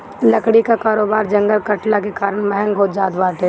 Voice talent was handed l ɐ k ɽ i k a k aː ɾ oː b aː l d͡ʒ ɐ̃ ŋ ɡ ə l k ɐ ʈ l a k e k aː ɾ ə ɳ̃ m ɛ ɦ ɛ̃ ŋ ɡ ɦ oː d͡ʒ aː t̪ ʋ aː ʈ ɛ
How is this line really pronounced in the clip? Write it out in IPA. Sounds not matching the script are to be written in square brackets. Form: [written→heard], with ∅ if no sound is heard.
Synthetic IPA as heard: l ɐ k ɽ i k a k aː ɾ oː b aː [l→ɾ] d͡ʒ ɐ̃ ŋ ɡ ə l k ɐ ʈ l a k e k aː ɾ ə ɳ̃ m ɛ ɦ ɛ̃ ŋ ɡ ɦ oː d͡ʒ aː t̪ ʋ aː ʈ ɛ